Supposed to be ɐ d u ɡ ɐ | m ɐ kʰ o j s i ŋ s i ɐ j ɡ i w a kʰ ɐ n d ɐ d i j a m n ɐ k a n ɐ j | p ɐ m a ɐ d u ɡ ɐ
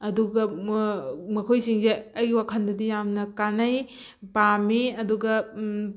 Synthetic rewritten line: ɐ d u ɡ ɐ | m ɐ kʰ o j s i ŋ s e ɐ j ɡ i w a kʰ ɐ n d ɐ d i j a m n ɐ k a n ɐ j | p a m i ɐ d u ɡ ɐ